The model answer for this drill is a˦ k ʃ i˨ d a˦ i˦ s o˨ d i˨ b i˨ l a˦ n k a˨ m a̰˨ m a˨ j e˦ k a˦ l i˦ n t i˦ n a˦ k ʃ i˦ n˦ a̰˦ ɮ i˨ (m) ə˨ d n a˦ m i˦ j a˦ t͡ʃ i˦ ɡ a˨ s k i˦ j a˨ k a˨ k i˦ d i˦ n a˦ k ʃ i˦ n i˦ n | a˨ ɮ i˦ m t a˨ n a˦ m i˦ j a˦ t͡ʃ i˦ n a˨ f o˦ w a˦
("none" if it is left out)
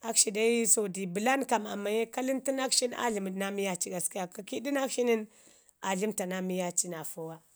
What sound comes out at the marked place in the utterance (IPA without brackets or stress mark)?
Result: m